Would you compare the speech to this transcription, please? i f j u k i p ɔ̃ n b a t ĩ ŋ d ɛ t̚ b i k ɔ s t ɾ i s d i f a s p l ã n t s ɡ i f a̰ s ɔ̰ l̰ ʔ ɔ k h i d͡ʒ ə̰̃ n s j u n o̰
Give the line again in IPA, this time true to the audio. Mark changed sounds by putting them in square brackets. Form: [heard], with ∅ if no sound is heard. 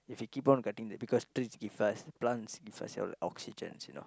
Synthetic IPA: i f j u k i p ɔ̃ n [ɡ] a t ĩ ŋ d ɛ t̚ b i k ɔ s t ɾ i s [ɡ] i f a s p l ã n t s ɡ i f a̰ s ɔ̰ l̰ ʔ ɔ k [s] i d͡ʒ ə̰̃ n s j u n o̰

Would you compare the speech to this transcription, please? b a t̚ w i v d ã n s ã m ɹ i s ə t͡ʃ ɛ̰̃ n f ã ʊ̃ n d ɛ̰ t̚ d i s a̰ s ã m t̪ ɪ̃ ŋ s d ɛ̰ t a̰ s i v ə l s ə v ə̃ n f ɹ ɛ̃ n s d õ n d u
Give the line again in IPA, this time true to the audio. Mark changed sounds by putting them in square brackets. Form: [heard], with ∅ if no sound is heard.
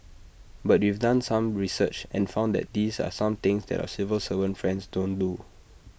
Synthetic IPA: b a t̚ w i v d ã n s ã m ɹ i s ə t͡ʃ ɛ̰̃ n f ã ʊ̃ n d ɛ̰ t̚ d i s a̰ s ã m t̪ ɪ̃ ŋ s d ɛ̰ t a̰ s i v ə l s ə v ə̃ n f ɹ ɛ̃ n s d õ n d u

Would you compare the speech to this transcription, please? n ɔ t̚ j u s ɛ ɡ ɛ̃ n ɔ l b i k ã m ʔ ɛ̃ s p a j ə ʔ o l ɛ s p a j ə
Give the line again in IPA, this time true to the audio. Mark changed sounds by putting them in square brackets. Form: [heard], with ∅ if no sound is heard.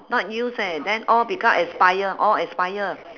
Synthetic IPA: n ɔ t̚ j u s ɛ [d] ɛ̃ n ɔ l b i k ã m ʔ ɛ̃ s p a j ə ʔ [ɔ] l ɛ s p a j ə

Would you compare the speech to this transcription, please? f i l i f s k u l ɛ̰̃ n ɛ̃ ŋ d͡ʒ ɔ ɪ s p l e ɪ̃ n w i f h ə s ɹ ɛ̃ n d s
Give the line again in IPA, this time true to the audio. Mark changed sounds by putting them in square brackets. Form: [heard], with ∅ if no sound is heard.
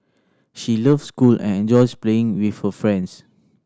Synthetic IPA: [ʃ] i l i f s k u l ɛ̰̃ n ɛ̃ [n] d͡ʒ ɔ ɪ s p l e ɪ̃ [ŋ] w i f h ə [f] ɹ ɛ̃ n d s

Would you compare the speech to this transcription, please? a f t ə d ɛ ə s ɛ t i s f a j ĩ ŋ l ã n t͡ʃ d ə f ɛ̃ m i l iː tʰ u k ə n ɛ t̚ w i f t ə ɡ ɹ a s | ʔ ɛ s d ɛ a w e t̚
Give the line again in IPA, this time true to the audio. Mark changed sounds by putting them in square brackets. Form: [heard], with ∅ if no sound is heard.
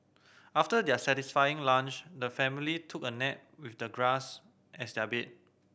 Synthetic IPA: a f t ə d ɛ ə s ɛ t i s f a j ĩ ŋ l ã n t͡ʃ d ə f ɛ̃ m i l [i] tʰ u k ə n ɛ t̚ w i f [d] ə ɡ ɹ a s | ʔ ɛ s d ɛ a [b] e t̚

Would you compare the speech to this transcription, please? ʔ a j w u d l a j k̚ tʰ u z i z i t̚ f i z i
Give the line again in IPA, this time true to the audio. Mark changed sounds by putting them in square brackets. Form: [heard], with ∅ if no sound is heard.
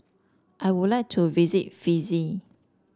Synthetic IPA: ʔ a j w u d l a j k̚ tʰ u [v] i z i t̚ f i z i

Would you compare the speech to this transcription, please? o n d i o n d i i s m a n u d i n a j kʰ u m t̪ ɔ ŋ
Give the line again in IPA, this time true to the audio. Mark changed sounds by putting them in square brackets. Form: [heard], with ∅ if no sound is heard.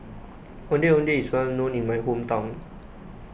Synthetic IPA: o n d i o n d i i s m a n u [n] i [m] a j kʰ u m t̪ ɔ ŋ

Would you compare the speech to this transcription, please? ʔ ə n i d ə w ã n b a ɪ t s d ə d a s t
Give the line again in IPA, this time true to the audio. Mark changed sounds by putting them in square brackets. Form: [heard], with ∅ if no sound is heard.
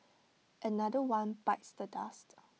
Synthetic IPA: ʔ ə n [a] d ə w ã n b a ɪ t s d ə d a s t

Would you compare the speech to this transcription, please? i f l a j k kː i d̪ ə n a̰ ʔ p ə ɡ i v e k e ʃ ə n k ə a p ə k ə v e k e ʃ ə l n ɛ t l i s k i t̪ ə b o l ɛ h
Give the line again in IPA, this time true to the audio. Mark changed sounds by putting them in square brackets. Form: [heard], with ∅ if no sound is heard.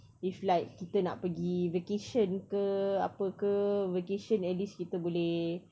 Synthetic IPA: i f l a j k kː i [t̪] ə n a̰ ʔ p ə ɡ i v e k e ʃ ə n k ə a p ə k ə v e k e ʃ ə [∅] n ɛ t l i s k i t̪ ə b o l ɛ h

